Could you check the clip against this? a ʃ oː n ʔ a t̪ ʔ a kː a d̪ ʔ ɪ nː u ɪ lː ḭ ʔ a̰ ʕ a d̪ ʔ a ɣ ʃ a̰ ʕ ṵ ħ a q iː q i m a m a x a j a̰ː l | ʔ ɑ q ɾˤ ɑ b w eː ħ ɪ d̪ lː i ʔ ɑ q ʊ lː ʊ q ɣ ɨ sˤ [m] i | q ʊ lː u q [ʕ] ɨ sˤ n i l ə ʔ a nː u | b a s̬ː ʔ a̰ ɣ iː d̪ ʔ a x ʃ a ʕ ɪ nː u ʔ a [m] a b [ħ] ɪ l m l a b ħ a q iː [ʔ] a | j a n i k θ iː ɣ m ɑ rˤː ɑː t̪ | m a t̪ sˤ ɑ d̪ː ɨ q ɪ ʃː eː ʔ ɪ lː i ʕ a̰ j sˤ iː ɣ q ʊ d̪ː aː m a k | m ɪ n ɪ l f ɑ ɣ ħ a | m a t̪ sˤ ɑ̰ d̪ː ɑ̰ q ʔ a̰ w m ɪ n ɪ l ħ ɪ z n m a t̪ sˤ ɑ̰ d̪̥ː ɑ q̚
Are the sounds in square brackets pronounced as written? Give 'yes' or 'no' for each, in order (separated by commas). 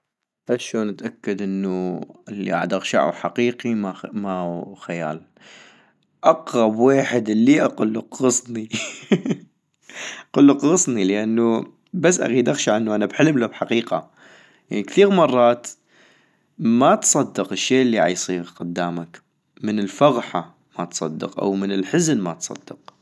no, no, no, yes, no